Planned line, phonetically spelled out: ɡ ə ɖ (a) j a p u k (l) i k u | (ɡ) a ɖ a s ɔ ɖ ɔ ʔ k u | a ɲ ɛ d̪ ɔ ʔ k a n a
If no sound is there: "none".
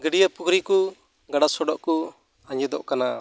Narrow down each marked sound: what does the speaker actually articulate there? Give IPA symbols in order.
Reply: i, ɾ, ɡ

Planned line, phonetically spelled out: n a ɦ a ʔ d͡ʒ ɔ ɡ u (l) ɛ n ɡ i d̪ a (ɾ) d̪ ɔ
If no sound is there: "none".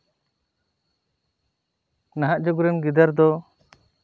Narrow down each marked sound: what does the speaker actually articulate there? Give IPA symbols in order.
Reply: ɾ, ɾ

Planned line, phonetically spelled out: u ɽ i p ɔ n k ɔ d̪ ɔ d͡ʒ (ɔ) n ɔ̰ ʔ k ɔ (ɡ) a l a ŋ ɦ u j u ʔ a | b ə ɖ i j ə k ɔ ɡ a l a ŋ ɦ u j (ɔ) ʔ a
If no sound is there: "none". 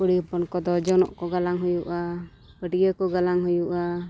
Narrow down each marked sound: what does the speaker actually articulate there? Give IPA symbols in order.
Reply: ɔ, ɡ, u

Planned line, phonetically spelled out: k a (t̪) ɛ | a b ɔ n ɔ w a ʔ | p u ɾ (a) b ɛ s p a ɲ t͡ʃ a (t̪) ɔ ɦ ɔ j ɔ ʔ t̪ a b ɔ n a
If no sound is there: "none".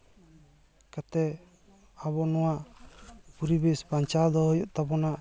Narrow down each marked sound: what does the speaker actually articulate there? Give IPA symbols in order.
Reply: t̪, i, d̪

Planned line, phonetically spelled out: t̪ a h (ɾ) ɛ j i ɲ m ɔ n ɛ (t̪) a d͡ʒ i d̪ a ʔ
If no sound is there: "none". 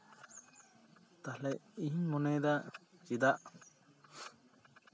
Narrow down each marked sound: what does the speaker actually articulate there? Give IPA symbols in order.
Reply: l, d̪

